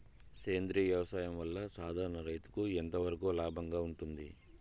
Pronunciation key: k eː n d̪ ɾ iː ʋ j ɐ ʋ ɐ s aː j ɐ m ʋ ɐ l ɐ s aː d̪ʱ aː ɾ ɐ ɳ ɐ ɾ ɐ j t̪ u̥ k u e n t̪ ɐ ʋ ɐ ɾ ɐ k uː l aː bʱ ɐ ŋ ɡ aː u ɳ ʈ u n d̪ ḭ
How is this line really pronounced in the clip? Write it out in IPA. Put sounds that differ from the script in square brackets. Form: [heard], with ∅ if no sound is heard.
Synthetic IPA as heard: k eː n d̪ ɾ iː ʋ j ɐ ʋ ɐ s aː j ɐ m ʋ ɐ [lː] ɐ s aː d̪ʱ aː ɾ ɐ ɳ ɐ ɾ ɐ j t̪ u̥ k u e n t̪ ɐ ʋ ɐ ɾ ɐ k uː l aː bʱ ɐ ŋ ɡ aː u ɳ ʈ u n d̪ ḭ